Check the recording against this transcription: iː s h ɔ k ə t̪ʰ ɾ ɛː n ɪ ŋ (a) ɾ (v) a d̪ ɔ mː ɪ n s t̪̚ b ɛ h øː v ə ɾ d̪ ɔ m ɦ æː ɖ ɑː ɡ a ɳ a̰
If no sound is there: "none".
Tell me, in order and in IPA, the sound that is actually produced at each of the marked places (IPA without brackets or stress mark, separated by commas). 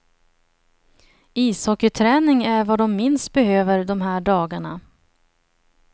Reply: æ, v